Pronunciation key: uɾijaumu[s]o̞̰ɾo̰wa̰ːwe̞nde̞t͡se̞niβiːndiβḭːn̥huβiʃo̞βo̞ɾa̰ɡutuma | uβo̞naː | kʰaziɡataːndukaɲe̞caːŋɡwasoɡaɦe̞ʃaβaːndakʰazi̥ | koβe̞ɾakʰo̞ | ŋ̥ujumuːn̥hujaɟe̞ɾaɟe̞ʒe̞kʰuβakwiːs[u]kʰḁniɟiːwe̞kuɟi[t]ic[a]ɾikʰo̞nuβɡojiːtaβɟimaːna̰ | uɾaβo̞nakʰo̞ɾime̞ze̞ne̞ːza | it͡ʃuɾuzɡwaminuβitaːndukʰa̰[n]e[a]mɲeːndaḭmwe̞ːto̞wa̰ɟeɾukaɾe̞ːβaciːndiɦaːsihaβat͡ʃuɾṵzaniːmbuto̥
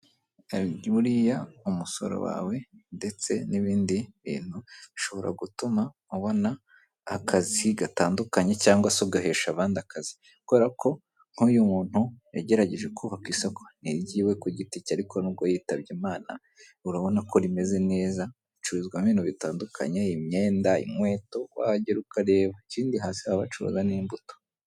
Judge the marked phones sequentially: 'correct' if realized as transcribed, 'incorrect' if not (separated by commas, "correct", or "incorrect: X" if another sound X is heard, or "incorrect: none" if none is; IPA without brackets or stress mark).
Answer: correct, incorrect: o, correct, correct, incorrect: ɲ, incorrect: i